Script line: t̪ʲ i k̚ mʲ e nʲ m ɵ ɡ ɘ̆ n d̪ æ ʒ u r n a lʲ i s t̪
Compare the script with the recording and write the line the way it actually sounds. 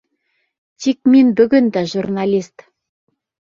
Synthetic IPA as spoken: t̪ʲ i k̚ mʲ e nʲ b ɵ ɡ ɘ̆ n d̪ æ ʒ u r n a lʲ i s t̪